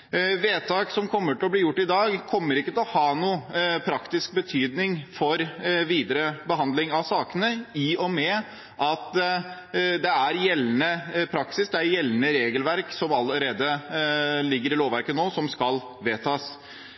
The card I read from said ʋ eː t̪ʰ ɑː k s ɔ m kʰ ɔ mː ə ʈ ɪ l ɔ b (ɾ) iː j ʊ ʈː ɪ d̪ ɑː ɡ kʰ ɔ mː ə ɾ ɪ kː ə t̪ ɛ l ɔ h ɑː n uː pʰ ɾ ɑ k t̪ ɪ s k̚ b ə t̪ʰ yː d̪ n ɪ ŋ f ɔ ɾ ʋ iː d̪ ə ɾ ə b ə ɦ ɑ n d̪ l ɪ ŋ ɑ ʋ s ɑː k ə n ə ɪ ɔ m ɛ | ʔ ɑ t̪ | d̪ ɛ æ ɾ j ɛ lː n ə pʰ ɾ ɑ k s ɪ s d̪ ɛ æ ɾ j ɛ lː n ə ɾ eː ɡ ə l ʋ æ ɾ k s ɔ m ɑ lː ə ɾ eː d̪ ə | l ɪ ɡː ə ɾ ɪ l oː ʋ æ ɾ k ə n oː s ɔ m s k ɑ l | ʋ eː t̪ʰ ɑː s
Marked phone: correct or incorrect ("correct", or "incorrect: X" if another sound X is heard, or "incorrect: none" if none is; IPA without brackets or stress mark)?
incorrect: l